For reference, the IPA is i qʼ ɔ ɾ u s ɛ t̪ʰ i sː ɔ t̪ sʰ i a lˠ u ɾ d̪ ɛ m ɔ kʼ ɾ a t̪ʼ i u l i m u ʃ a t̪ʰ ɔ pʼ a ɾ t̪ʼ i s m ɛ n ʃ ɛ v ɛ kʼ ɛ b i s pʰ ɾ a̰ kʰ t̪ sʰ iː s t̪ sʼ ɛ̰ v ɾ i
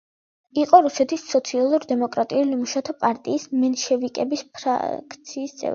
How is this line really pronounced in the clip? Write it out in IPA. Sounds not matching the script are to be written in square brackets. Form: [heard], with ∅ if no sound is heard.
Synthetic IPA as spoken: i qʼ ɔ ɾ u s ɛ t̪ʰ i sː ɔ t̪ sʰ i a lˠ u ɾ d̪ ɛ m ɔ kʼ ɾ a t̪ʼ i u l i m u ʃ a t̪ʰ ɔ pʼ a ɾ t̪ʼ [iː] s m ɛ n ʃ ɛ v [i] kʼ ɛ b i s pʰ ɾ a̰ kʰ t̪ sʰ iː s t̪ sʼ ɛ̰ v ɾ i